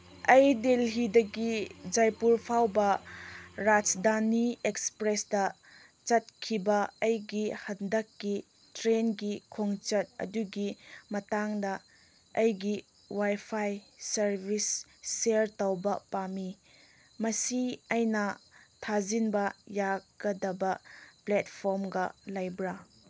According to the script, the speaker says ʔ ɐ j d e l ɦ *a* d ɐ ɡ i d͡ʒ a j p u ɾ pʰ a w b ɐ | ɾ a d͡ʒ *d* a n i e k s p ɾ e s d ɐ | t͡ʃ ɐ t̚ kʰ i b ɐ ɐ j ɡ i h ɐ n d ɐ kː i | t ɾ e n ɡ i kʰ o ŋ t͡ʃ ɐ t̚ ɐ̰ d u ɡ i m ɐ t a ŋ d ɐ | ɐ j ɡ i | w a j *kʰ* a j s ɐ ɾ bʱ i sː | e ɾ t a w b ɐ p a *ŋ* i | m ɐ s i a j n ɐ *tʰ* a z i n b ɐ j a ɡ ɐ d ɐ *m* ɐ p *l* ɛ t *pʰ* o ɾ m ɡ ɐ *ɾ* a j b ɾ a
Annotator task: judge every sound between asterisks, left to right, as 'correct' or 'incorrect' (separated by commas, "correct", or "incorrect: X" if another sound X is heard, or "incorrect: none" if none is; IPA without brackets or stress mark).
incorrect: i, correct, incorrect: pʰ, incorrect: m, correct, incorrect: b, correct, correct, incorrect: l